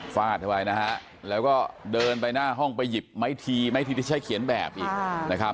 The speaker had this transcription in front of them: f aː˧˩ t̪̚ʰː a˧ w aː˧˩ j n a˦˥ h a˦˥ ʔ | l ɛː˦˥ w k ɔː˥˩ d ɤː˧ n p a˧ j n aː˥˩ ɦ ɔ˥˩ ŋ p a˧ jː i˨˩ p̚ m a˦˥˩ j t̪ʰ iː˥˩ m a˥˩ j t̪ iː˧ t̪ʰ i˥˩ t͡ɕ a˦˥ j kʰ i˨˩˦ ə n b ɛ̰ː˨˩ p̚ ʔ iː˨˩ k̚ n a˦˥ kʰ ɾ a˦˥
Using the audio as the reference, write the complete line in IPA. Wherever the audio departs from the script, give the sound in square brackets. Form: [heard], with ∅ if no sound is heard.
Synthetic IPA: f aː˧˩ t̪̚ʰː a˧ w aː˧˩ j n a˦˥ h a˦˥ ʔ | l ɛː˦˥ w k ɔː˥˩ d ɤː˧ n p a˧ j n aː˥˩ ɦ ɔ˥˩ ŋ p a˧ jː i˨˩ p̚ m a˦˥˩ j t̪ʰ [iː˧] m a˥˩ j t̪ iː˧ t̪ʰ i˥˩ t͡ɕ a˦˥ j kʰ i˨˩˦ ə n b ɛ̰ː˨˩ p̚ ʔ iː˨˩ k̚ n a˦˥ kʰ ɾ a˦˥